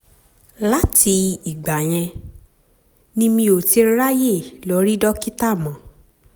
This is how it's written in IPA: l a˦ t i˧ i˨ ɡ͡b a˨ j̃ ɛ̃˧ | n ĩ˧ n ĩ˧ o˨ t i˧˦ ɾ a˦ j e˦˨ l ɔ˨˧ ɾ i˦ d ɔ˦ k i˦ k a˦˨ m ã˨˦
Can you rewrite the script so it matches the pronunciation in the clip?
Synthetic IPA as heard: l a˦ t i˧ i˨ ɡ͡b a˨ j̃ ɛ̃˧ | n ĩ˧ m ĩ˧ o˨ t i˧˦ ɾ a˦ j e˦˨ l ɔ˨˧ ɾ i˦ d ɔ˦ k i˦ t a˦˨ m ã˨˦